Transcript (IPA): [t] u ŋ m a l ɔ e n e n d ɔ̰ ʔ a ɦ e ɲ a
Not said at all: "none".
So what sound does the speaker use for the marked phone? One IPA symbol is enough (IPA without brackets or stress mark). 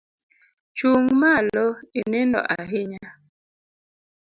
t͡ʃ